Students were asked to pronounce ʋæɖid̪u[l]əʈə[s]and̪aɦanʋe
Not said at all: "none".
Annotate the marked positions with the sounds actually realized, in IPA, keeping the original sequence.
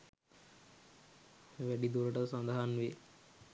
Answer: ɾ, s

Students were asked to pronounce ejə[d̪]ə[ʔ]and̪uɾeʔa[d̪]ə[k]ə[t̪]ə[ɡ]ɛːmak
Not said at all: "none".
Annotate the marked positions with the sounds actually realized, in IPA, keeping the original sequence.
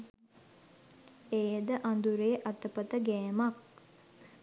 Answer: d̪, ʔ, t̪, p, t̪, ɡ

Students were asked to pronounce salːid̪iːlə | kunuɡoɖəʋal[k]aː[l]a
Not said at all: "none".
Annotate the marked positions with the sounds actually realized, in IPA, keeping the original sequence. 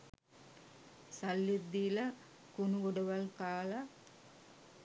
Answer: k, l

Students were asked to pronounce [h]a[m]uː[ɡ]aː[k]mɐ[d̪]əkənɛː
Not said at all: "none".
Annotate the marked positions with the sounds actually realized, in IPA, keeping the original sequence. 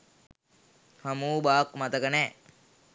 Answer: h, m, b, k, t̪

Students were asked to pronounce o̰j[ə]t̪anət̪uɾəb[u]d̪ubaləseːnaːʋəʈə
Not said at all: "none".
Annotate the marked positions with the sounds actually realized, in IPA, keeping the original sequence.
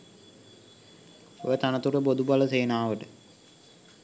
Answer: ə, o

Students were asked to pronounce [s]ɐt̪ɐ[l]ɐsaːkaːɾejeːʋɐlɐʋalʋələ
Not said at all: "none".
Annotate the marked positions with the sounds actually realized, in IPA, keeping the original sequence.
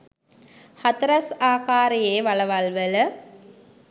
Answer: h, ɾ

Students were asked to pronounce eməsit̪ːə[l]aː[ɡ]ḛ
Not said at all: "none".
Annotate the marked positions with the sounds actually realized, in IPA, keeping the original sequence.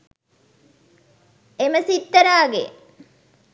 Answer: ɾ, ɡ

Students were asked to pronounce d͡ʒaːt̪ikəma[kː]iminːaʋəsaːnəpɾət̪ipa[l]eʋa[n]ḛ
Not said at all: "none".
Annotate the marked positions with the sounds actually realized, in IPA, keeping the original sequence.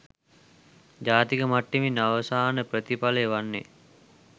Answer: ʈː, l, nː

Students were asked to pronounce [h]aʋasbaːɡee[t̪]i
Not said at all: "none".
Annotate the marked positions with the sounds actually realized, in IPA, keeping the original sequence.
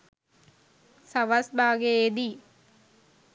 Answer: s, d̪

